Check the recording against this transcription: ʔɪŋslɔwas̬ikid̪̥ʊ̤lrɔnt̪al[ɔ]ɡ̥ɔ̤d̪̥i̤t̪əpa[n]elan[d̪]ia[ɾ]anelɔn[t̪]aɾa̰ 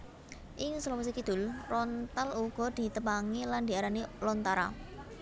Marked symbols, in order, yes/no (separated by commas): no, no, yes, yes, yes